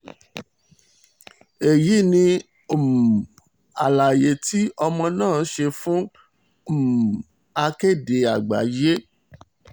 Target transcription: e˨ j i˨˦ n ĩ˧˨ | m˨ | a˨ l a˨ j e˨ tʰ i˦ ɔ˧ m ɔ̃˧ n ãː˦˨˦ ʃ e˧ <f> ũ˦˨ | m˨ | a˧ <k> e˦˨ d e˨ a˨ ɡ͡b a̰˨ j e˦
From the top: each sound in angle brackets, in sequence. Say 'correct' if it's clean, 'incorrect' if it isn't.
correct, correct

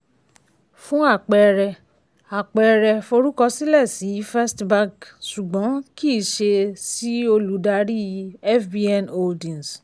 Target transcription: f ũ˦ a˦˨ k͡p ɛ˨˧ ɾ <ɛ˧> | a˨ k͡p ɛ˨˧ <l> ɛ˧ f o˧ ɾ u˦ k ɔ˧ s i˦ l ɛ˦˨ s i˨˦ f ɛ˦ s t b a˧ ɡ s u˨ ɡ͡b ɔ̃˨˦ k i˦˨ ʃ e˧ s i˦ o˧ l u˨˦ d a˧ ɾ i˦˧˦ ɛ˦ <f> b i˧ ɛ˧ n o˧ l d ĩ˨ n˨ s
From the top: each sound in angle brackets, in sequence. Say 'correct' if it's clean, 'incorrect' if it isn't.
correct, incorrect, correct

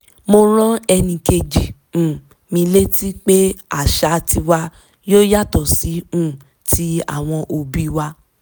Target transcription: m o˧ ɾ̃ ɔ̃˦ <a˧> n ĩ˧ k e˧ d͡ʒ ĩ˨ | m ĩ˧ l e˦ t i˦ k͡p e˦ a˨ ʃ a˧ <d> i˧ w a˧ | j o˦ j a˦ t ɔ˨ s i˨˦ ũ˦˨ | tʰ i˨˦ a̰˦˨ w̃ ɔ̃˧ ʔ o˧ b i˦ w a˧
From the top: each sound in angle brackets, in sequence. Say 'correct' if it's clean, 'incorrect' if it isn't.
incorrect, incorrect

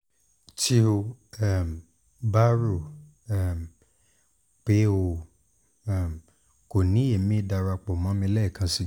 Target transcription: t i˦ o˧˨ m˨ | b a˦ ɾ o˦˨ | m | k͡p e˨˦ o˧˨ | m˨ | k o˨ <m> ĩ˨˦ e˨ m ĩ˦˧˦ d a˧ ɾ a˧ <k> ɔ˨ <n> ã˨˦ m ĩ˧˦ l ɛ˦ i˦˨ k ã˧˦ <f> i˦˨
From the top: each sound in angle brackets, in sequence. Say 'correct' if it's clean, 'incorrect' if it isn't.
incorrect, incorrect, incorrect, incorrect

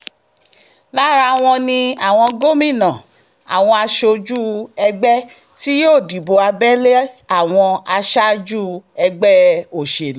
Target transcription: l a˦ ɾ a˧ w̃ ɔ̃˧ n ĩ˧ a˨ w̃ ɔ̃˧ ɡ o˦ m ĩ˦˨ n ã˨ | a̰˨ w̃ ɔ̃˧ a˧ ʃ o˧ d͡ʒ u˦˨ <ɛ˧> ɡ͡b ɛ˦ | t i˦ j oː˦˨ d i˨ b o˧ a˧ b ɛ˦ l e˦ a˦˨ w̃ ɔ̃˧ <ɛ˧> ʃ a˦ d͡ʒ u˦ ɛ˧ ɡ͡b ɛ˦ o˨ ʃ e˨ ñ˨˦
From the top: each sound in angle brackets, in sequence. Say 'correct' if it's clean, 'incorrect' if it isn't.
correct, incorrect

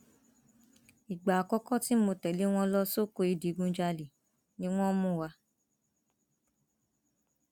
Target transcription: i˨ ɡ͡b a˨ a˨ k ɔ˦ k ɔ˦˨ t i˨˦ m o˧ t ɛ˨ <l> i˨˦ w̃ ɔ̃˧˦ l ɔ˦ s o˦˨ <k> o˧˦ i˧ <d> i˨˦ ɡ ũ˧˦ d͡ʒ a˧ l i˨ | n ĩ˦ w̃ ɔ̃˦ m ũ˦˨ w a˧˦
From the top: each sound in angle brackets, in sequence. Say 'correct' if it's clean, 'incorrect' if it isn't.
correct, correct, correct

